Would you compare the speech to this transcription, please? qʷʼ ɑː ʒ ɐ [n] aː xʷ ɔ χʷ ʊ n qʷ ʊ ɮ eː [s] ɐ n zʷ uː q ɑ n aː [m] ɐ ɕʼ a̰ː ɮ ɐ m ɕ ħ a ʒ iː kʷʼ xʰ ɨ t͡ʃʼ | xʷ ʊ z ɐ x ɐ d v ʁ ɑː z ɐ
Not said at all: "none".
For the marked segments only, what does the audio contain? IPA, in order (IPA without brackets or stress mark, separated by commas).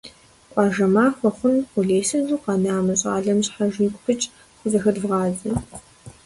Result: m, s, m